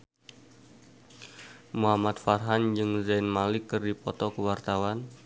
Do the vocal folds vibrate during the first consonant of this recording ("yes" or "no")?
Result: yes